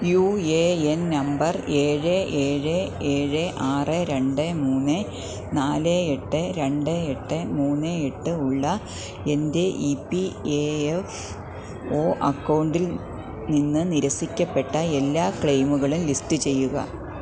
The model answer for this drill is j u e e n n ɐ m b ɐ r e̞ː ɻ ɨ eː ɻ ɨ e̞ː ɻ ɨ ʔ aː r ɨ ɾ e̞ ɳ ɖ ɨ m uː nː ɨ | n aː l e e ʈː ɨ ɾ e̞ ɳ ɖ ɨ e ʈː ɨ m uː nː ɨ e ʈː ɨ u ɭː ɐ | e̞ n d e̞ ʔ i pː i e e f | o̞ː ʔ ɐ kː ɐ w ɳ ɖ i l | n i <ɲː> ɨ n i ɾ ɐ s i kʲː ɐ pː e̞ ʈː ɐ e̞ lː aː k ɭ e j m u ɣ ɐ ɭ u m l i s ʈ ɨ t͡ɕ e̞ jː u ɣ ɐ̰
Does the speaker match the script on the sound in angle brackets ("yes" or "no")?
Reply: no